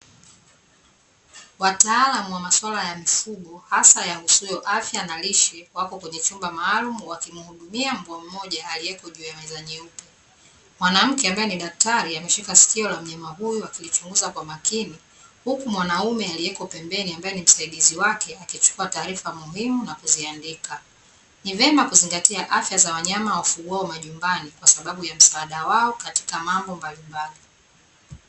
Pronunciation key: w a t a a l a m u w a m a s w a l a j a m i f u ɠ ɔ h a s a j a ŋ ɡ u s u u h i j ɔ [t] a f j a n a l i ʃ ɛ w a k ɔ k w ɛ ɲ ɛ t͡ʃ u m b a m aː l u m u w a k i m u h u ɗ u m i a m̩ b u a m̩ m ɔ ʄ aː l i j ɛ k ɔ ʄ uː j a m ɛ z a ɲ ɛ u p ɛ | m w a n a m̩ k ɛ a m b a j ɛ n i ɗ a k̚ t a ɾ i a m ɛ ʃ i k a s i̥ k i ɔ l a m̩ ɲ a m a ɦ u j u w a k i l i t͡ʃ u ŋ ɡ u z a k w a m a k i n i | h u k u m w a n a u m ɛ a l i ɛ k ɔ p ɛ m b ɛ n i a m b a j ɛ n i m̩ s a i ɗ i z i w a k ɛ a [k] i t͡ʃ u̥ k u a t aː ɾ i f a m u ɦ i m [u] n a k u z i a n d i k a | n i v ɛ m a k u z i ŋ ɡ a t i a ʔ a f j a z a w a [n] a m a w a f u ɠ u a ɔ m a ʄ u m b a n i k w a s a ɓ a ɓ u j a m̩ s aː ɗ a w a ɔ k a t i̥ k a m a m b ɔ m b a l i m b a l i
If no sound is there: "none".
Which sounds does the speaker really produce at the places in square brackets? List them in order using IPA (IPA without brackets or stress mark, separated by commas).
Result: ʔ, k, u, ɲ